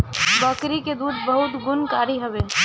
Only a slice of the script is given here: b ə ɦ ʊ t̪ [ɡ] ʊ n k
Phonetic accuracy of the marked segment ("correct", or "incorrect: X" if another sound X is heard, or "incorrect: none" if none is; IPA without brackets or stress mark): correct